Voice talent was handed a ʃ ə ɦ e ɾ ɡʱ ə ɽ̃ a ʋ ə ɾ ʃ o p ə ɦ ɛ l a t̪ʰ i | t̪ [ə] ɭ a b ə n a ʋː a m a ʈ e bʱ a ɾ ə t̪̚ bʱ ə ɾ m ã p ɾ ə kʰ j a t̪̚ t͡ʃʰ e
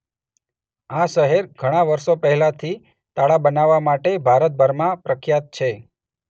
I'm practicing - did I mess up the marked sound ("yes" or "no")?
yes